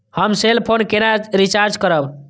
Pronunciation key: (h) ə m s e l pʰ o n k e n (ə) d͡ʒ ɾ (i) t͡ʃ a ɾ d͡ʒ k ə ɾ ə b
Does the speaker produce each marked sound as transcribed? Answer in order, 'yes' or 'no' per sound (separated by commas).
yes, no, yes